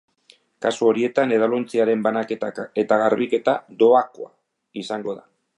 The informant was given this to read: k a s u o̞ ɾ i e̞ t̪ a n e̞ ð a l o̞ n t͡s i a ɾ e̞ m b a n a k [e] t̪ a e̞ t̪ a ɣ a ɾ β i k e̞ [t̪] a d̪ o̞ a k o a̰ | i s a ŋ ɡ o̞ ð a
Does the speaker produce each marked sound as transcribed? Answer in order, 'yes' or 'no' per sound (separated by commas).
yes, yes